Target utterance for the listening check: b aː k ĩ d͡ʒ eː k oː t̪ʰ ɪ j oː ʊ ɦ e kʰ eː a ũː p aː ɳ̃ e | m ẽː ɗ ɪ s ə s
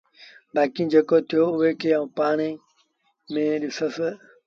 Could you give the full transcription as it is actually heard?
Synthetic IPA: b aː k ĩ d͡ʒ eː k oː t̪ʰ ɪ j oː ʊ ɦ e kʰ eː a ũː p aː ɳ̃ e | m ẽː ɗ ɪ s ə s